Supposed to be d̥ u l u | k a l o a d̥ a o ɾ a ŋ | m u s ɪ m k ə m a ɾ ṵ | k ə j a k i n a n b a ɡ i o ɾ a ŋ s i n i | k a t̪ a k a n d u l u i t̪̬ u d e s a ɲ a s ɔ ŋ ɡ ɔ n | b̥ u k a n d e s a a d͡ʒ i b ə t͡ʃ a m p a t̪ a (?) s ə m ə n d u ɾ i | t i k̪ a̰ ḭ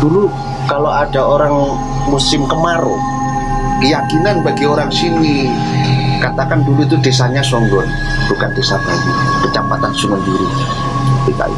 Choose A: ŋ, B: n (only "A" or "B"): B